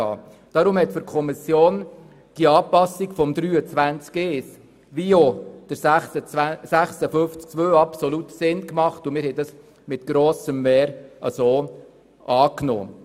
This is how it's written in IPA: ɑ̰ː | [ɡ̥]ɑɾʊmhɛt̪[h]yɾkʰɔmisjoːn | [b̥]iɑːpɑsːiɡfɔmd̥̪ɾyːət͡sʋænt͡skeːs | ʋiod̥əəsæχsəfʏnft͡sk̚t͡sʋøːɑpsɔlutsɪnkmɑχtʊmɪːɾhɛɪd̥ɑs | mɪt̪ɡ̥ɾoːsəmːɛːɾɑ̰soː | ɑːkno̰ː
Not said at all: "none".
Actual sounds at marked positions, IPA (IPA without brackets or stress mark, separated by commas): d̥, f, d̥